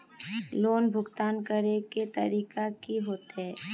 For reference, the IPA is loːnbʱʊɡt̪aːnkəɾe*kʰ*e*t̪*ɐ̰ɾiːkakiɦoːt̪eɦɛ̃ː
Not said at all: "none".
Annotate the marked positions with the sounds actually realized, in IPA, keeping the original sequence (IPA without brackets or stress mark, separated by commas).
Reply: k, t̪